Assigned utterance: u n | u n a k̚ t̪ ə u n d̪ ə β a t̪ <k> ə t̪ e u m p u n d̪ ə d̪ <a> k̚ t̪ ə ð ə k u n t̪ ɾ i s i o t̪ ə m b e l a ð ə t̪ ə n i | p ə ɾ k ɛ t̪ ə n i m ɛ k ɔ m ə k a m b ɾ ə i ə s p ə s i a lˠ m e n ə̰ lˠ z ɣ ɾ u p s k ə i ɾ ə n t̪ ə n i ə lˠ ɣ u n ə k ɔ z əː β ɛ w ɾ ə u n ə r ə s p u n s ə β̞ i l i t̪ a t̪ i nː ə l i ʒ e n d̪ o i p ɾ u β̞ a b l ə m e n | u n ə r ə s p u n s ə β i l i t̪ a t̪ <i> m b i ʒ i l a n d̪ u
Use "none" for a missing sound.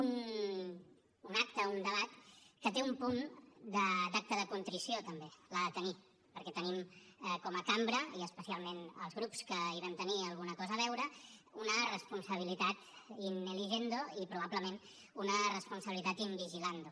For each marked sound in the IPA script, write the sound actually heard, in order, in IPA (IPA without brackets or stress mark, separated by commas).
k, a, i